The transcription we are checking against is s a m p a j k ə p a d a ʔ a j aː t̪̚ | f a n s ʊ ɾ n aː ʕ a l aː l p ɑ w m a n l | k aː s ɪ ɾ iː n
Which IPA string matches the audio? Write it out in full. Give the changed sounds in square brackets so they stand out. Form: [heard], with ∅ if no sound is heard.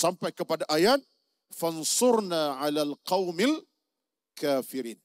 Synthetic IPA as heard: s a m p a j k ə p a d a ʔ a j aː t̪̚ | f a n s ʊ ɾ n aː ʕ a l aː l [q] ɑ w m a [∅] l | k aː [f] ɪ ɾ iː n